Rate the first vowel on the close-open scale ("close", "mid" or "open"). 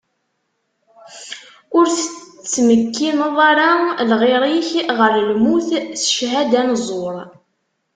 close